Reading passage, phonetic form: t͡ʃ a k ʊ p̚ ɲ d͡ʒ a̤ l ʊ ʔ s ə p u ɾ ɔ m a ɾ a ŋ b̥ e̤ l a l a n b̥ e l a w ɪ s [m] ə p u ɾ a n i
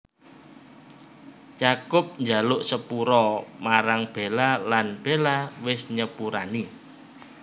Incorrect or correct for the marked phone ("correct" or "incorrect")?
incorrect